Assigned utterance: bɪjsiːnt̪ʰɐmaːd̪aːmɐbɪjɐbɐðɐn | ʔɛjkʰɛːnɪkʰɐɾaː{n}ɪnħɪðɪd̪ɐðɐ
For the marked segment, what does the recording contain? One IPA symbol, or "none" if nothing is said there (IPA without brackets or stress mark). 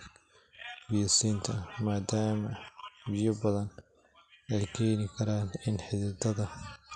n